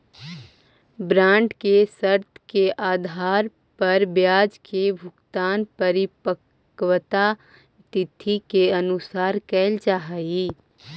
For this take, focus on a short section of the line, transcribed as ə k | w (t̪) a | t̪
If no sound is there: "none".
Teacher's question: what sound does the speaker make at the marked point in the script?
t̪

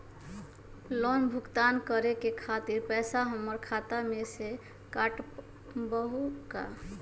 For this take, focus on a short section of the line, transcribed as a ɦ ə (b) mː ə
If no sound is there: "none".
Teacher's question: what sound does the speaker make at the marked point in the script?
none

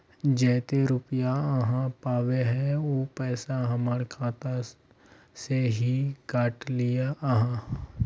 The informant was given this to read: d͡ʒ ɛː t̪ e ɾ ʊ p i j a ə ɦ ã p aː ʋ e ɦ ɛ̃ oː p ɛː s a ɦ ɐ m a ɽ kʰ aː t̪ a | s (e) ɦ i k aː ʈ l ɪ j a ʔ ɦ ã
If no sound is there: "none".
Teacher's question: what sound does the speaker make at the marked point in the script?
e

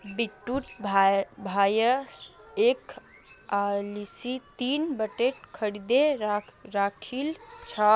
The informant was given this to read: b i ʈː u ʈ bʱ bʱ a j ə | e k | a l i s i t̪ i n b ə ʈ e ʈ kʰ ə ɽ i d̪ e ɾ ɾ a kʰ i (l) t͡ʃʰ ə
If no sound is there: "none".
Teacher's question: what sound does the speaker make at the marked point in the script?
l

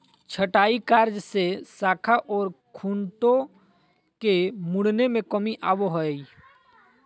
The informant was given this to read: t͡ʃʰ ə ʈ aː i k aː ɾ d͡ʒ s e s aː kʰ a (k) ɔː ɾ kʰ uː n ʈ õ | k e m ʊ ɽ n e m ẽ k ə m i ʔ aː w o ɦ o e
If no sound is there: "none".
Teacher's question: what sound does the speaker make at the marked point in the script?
ʔ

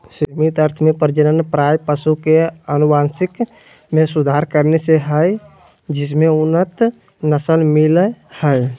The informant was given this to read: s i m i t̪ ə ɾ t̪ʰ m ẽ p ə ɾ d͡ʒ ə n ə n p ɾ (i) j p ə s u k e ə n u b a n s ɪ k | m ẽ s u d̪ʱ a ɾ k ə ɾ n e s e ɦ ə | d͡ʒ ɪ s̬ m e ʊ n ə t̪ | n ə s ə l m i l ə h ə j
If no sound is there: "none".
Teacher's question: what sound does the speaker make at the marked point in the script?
a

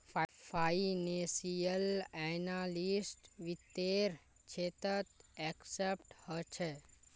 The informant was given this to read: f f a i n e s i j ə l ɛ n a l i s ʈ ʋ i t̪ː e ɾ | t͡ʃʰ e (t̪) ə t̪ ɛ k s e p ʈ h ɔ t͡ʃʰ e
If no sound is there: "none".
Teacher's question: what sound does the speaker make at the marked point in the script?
t̪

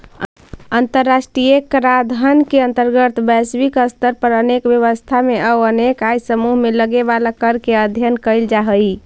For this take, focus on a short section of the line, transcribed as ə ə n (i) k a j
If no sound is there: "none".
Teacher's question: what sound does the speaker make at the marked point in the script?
e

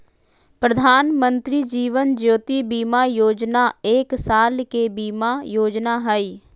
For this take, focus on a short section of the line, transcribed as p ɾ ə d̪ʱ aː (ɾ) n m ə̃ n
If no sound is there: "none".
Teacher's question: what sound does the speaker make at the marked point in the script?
none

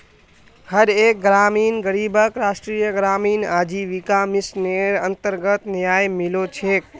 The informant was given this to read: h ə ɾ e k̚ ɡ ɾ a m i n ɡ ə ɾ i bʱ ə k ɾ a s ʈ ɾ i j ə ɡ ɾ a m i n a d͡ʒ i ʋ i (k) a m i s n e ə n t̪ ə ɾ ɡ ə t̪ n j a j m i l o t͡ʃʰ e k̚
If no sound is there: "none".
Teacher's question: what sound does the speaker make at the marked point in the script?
k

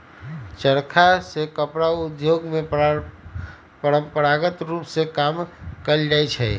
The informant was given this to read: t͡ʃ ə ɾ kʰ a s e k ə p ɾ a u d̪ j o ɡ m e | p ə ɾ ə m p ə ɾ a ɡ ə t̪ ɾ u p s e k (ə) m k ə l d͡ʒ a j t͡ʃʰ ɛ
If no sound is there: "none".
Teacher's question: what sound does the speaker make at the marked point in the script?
a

